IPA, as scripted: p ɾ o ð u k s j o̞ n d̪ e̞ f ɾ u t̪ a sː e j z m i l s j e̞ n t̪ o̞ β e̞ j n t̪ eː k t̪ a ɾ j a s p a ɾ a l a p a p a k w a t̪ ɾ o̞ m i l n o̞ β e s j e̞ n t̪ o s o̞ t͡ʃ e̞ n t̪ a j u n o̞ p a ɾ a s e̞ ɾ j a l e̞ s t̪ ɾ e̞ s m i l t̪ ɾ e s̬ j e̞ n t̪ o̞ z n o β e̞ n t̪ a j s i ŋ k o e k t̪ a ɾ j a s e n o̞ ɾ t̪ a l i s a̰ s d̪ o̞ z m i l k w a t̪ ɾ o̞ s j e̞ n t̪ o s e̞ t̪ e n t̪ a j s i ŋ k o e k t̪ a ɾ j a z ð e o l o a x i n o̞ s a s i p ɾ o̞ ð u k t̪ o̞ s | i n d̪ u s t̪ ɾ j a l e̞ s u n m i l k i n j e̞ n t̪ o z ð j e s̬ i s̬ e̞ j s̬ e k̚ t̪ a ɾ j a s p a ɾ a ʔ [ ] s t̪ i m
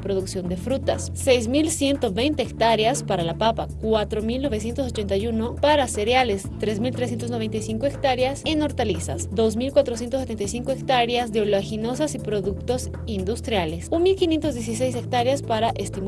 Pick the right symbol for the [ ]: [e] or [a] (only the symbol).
e